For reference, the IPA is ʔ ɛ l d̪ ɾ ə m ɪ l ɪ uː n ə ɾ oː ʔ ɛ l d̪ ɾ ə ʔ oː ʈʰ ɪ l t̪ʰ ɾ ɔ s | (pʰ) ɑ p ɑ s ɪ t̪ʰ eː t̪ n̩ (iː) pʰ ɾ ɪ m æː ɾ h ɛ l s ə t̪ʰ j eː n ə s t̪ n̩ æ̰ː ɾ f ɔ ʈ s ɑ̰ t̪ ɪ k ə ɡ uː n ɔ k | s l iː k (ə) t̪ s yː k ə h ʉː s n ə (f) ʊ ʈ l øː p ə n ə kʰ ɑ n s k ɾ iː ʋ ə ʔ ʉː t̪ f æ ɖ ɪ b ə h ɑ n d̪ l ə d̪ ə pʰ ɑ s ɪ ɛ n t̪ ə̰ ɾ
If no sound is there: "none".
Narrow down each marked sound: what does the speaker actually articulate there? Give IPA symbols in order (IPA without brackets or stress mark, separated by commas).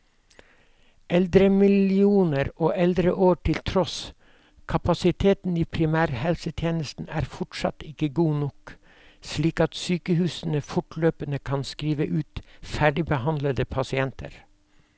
kʰ, iː, ɑ, f